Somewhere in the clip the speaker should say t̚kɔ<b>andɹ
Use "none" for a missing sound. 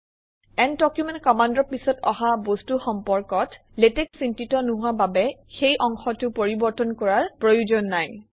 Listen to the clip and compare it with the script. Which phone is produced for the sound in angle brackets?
m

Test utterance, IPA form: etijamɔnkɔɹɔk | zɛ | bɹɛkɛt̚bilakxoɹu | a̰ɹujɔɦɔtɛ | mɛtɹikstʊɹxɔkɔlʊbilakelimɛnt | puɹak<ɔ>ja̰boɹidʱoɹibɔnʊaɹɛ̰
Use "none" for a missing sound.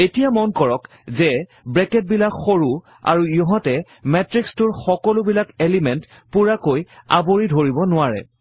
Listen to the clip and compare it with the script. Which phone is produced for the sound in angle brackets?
o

